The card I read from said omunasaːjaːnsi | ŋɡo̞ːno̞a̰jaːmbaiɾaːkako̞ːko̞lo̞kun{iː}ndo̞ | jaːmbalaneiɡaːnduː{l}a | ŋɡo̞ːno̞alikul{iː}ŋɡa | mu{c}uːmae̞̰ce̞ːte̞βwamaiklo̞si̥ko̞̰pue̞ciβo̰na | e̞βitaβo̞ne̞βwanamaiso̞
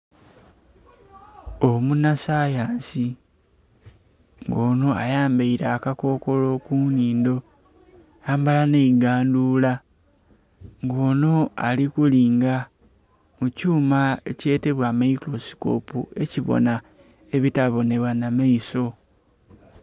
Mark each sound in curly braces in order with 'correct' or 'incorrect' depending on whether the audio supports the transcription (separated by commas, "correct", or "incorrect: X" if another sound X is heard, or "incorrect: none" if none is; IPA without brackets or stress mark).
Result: correct, correct, correct, correct